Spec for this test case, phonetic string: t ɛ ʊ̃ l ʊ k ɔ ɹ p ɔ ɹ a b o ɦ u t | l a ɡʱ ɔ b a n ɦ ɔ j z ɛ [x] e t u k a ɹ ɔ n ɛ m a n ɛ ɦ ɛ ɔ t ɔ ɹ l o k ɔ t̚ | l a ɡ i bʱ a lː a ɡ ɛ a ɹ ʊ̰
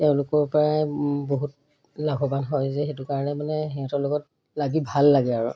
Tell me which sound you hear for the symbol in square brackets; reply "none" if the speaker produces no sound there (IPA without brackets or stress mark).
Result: x